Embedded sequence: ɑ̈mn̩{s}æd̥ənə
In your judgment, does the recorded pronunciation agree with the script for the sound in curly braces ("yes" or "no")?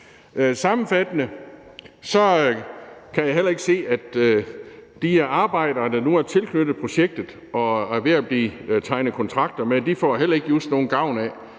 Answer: no